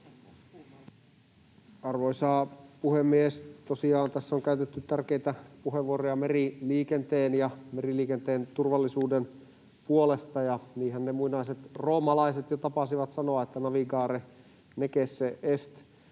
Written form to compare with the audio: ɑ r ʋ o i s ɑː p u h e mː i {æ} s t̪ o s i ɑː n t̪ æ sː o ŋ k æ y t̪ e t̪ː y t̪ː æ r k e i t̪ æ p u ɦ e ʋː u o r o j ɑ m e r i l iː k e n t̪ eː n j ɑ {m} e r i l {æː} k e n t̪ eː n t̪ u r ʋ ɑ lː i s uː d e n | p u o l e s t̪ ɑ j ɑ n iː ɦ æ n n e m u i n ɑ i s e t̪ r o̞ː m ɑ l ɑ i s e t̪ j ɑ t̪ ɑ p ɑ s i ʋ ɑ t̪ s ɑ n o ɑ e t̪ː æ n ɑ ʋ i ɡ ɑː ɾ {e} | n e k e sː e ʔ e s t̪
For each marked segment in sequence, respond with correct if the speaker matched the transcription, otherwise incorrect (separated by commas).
incorrect, correct, incorrect, correct